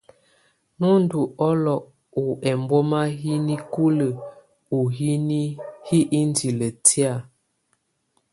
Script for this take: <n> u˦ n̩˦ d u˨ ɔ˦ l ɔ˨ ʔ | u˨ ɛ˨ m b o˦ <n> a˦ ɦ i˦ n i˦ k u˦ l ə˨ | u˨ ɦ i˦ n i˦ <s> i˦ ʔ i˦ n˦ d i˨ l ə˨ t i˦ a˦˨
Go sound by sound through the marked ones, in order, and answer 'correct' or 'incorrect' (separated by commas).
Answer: correct, incorrect, incorrect